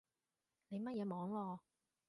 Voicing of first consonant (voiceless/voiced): voiced